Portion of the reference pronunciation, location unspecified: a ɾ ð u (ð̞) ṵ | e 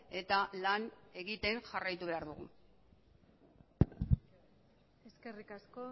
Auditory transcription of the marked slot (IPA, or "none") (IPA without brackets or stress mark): ɣ̞